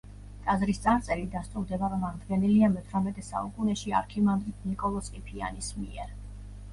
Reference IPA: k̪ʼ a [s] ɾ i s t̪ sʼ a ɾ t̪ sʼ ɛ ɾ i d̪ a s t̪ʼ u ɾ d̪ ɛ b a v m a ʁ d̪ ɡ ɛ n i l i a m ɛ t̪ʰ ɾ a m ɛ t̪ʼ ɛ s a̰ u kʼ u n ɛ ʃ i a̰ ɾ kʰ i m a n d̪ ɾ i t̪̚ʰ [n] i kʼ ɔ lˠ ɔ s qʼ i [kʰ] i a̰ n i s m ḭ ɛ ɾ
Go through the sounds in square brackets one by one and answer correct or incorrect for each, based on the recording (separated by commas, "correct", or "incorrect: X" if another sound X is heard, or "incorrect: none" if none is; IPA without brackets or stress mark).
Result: incorrect: z, correct, incorrect: pʰ